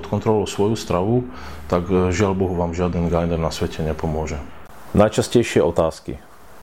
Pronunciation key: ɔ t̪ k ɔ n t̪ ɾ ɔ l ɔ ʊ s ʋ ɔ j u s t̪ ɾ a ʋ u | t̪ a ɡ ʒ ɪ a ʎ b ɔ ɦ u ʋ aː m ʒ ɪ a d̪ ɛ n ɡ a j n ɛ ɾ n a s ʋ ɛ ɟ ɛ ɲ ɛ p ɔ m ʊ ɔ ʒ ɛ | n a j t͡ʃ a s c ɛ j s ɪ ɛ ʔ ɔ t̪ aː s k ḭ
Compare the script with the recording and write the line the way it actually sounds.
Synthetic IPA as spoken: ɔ t̪ k ɔ n t̪ ɾ ɔ l ɔ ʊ s ʋ ɔ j u s t̪ ɾ a ʋ u | t̪ a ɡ ʒ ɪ a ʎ b ɔ ɦ u ʋ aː m ʒ ɪ a d̪ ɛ n ɡ a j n ɛ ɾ n a s ʋ ɛ c ɛ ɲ ɛ p ɔ m ʊ ɔ ʒ ɛ | n a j t͡ʃ a s c ɛ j ʃ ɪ ɛ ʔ ɔ t̪ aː s k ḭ